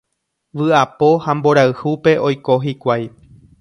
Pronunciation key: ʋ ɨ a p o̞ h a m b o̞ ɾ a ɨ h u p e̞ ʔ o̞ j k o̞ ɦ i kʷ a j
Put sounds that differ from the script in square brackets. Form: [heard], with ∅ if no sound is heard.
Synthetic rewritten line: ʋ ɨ a p o̞ h a m b o̞ ɾ a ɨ h u p e̞ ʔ o̞ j k o̞ ɦ i kʷ a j